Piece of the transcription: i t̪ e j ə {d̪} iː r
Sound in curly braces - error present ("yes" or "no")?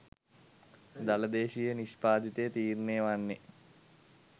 yes